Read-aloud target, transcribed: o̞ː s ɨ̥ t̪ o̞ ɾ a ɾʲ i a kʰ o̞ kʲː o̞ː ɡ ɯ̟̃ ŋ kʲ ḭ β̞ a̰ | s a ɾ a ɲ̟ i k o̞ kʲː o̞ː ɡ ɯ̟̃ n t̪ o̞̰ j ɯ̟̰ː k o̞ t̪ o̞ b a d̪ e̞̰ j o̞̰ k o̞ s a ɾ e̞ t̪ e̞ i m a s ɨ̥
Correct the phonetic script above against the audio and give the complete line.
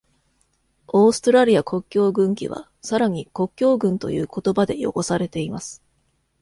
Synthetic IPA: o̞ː s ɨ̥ t̪ o̞ ɾ a ɾʲ i a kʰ o̞ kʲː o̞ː ɡ ɯ̟̃ ŋ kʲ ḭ β̞ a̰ | s a ɾ a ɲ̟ i k o̞ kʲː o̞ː ɡ ɯ̟̃ n t̪ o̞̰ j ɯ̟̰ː k o̞ t̪ o̞ b a d̪ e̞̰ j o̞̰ k o̞ s a ɾ e̞ t̪ e̞ i m a s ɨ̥